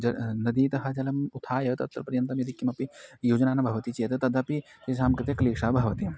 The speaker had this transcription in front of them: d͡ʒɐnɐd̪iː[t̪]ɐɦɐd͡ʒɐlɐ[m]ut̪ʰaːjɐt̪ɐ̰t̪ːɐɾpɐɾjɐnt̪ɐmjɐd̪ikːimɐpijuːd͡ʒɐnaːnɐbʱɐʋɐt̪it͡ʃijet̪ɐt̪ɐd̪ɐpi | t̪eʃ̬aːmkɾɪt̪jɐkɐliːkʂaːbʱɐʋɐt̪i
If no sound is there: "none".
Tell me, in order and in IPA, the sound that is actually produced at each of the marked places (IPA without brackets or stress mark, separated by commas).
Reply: t̪, m